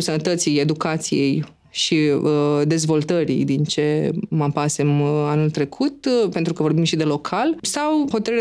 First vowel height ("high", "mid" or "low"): mid